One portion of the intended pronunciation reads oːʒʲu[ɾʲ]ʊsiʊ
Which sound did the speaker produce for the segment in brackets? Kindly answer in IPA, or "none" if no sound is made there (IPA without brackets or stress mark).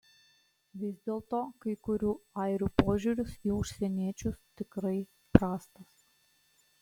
ɾʲ